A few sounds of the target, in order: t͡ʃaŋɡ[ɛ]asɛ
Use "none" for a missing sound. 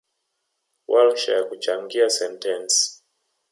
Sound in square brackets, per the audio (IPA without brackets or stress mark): i